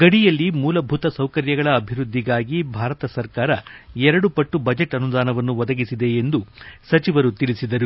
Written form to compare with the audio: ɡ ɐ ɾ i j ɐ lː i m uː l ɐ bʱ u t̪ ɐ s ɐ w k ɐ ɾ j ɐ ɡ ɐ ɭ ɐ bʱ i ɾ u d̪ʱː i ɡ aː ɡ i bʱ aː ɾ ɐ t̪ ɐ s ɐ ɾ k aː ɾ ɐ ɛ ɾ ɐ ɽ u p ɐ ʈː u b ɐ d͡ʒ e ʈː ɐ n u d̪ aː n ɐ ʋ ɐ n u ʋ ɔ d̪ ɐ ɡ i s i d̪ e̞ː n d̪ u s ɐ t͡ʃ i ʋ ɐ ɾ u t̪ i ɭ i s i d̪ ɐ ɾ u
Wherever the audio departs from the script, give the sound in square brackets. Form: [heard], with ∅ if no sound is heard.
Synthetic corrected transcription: ɡ ɐ [ɽ] i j ɐ lː i m uː l ɐ bʱ u t̪ ɐ s ɐ w k ɐ ɾ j ɐ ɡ ɐ ɭ [ɐː] bʱ i ɾ u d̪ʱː i ɡ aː ɡ i bʱ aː ɾ ɐ t̪ ɐ s ɐ ɾ k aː ɾ ɐ ɛ ɾ ɐ ɽ u p ɐ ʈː u b ɐ d͡ʒ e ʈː ɐ n u d̪ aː n ɐ ʋ ɐ [nː] u ʋ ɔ d̪ ɐ ɡ i s i d̪ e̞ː n d̪ u s ɐ t͡ʃ i ʋ ɐ ɾ u t̪ i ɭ i s i d̪ ɐ ɾ u

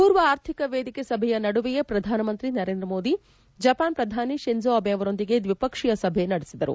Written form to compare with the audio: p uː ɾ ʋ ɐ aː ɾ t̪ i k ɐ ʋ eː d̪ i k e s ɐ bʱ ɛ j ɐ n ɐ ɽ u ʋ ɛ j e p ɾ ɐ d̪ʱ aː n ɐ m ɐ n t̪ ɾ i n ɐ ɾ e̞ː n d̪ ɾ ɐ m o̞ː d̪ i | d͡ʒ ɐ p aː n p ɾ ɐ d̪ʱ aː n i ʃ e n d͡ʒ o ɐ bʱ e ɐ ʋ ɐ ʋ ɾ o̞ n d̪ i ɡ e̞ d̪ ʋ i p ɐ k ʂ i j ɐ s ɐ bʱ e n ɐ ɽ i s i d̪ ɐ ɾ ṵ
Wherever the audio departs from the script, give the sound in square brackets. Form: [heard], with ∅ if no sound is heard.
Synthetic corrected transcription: p uː ɾ ʋ ɐ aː ɾ [t̪ʰ] i k ɐ ʋ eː d̪ i k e s ɐ bʱ ɛ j ɐ n ɐ ɽ u ʋ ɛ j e p ɾ ɐ d̪ʱ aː n ɐ m ɐ n t̪ ɾ i n ɐ ɾ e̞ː n d̪ ɾ ɐ m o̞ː d̪ i | d͡ʒ ɐ p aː n p ɾ ɐ d̪ʱ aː n i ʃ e n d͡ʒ o ɐ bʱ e ɐ ʋ ɐ [∅] ɾ o̞ n d̪ i ɡ e̞ d̪ ʋ i p ɐ k ʂ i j ɐ s ɐ bʱ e n ɐ ɽ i s i d̪ ɐ ɾ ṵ

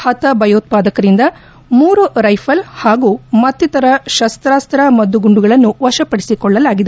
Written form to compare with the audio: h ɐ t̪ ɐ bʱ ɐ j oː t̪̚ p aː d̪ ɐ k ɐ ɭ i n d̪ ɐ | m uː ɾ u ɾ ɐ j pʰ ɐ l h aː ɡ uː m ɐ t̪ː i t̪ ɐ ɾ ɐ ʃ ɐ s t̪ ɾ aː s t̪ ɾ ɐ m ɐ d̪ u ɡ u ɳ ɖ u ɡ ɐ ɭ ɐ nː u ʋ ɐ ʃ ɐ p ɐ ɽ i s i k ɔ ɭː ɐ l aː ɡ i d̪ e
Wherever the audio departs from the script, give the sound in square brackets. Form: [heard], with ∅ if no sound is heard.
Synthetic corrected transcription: h ɐ t̪ ɐ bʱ ɐ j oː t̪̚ p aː d̪ ɐ k ɐ [ɾ] i n d̪ ɐ | m uː ɾ u ɾ ɐ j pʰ ɐ l h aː ɡ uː m ɐ t̪ː i t̪ ɐ ɾ ɐ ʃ ɐ s t̪ ɾ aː s t̪ ɾ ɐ m ɐ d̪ u ɡ u ɳ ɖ u ɡ ɐ ɭ ɐ nː u ʋ ɐ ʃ ɐ p ɐ ɽ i s i k ɔ ɭː ɐ l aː ɡ i d̪ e

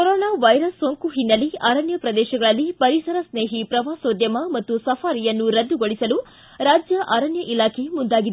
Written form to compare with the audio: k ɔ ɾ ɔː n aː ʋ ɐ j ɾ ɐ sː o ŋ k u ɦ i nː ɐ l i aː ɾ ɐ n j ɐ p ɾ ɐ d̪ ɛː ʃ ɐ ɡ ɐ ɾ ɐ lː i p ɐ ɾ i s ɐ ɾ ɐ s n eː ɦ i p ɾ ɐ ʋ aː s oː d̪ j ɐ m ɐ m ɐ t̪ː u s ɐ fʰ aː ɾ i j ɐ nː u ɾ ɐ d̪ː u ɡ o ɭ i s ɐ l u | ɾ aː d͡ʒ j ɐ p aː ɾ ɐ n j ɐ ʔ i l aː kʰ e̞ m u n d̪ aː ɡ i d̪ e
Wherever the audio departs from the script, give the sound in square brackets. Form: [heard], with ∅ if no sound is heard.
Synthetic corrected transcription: k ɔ ɾ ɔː n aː ʋ ɐ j ɾ ɐ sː o ŋ k u ɦ i nː ɐ l i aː ɾ ɐ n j ɐ p ɾ ɐ d̪ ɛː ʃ ɐ ɡ ɐ [ɭ] ɐ lː i p ɐ ɾ i s ɐ ɾ ɐ s n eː ɦ i p ɾ ɐ ʋ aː s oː d̪ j ɐ m ɐ m ɐ t̪ː u s ɐ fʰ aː ɾ i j ɐ nː u ɾ ɐ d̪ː u ɡ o ɭ i s ɐ l u | ɾ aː d͡ʒ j ɐ [ʔ] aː ɾ ɐ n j ɐ ʔ i l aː kʰ e̞ m u n d̪ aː ɡ i d̪ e

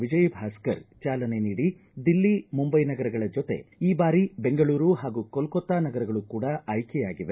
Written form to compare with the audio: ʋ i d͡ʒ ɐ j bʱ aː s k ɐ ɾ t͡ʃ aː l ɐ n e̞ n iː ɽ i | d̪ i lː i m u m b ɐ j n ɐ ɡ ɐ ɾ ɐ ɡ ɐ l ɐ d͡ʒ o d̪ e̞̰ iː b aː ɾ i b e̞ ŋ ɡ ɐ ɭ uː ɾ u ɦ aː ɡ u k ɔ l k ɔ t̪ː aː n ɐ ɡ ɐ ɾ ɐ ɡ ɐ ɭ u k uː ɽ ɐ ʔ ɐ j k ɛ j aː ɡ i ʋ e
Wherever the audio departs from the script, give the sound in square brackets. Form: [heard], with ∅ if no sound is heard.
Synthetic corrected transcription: ʋ i d͡ʒ ɐ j bʱ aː s k ɐ ɾ t͡ʃ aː l ɐ n e̞ n iː ɽ i | d̪ i lː i m u m b ɐ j n ɐ ɡ ɐ ɾ ɐ ɡ ɐ [ɭ] ɐ d͡ʒ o [t̪] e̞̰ iː b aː ɾ i b e̞ ŋ ɡ ɐ ɭ uː ɾ u ɦ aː ɡ u k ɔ l k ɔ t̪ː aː n ɐ ɡ ɐ ɾ ɐ ɡ ɐ ɭ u k uː ɽ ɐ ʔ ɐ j k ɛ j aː ɡ i ʋ e

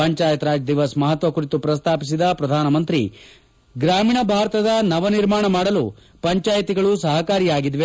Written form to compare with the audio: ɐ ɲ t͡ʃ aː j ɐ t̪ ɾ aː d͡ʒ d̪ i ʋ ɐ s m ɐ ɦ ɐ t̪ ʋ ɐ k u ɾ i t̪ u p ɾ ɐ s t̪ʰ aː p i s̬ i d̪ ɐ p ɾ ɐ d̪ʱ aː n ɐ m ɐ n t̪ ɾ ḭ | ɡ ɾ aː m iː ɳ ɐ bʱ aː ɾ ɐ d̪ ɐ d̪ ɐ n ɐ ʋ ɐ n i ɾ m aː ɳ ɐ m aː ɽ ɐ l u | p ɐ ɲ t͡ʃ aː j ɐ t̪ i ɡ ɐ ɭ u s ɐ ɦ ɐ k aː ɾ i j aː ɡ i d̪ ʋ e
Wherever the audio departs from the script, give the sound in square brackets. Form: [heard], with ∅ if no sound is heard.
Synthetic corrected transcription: ɐ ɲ t͡ʃ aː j ɐ t̪ ɾ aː d͡ʒ d̪ i ʋ ɐ s m ɐ ɦ ɐ t̪ ʋ ɐ k u ɾ i t̪ u p ɾ ɐ s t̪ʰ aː p i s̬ i d̪ ɐ p ɾ ɐ d̪ʱ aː n ɐ m ɐ n t̪ ɾ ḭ | ɡ ɾ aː m iː ɳ ɐ bʱ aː ɾ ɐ [t̪] ɐ d̪ ɐ n ɐ ʋ ɐ n i ɾ m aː ɳ ɐ m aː ɽ ɐ l u | p ɐ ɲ t͡ʃ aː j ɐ t̪ i ɡ ɐ ɭ u s ɐ ɦ ɐ k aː ɾ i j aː ɡ i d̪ ʋ e

